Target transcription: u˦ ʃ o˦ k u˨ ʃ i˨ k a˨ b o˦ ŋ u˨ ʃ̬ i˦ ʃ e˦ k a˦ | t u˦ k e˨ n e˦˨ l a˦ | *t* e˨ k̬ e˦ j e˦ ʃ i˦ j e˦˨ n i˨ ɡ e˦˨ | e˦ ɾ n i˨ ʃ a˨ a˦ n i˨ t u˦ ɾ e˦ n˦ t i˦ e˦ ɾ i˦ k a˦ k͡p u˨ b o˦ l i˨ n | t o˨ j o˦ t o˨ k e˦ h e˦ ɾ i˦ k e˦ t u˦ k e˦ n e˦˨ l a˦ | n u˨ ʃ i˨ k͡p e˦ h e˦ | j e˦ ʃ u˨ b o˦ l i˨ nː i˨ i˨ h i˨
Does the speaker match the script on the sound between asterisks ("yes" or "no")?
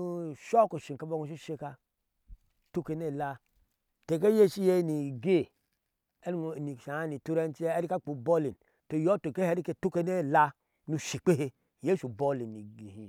yes